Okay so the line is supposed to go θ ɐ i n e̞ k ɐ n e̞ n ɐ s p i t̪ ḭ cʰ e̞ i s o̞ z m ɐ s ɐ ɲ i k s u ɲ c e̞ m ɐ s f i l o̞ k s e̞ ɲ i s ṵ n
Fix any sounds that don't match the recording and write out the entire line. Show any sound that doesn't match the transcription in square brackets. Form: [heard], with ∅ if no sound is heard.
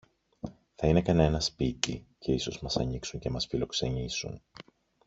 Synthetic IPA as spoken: θ ɐ i n e̞ k ɐ n e̞ n ɐ s p i t̪ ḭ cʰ e̞ i s o̞ z m ɐ s ɐ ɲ i k s u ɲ c e̞ m ɐ s f i l o̞ k s e̞ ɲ i s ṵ n